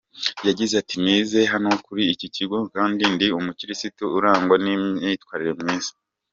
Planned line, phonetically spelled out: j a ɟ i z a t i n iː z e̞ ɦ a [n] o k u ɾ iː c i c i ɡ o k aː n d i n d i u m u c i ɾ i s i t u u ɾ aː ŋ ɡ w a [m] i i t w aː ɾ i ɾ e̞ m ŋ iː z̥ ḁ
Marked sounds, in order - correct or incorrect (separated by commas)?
correct, incorrect